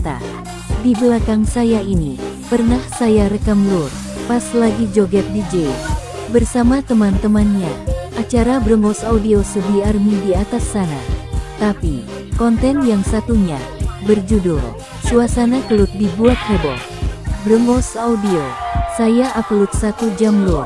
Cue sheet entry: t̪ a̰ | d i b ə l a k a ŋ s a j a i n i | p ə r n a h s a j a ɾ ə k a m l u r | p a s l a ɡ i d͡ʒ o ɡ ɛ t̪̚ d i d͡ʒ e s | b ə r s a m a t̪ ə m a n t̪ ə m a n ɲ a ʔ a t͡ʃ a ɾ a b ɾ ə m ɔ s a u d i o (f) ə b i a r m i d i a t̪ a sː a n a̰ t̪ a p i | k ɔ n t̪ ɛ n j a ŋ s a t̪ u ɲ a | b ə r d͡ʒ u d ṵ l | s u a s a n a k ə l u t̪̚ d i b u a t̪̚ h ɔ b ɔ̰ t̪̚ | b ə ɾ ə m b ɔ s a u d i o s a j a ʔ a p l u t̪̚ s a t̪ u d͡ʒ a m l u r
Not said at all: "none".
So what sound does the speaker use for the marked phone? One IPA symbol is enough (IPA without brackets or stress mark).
s